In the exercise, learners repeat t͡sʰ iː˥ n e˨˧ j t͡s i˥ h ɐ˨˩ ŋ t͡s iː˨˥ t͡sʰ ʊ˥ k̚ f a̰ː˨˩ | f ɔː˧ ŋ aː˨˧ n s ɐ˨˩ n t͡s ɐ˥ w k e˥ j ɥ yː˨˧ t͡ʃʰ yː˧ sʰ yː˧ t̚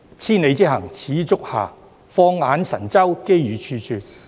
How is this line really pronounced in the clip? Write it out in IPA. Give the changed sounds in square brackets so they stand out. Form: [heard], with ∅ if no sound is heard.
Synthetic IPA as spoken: t͡sʰ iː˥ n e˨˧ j t͡s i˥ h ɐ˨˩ ŋ [t͡sʰ] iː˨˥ [t͡s] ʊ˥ k̚ [h] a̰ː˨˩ | f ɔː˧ ŋ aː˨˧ n s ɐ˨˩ n t͡s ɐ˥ w k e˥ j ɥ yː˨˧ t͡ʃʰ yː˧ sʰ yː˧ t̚